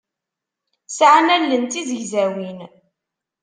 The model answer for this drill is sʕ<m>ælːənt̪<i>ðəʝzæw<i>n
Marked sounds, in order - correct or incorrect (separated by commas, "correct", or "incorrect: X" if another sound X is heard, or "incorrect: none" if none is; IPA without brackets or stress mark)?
incorrect: n, correct, correct